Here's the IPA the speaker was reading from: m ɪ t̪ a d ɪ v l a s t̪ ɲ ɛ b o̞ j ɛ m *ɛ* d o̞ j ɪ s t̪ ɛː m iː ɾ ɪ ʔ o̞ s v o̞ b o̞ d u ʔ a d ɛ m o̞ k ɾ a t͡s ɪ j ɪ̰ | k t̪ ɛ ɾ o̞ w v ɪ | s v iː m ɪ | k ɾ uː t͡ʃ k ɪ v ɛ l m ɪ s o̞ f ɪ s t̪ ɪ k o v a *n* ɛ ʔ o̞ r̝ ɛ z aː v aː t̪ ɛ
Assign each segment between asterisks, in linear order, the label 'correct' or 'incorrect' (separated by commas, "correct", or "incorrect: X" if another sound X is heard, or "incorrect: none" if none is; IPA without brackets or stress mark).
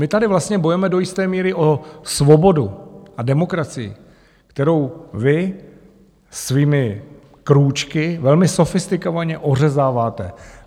correct, incorrect: ɲ